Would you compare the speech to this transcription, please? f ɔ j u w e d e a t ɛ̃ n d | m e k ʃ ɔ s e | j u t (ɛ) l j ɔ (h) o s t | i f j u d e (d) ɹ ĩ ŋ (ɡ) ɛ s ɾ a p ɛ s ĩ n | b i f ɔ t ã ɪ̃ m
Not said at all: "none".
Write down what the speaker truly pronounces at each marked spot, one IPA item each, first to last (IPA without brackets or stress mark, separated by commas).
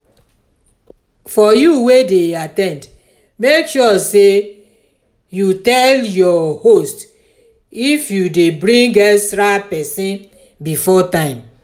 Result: ɛ, h, b, ɡ